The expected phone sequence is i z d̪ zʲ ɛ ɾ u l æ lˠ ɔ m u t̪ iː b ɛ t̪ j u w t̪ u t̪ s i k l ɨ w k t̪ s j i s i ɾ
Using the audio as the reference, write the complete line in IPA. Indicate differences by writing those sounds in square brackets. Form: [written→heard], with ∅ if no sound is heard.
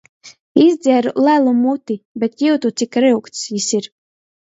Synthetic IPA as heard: i z d̪ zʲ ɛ ɾ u l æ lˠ [ɔ→u] m u t̪ [iː→i] b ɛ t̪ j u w t̪ u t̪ s i k [l→ɾ] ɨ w k t̪ s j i s i ɾ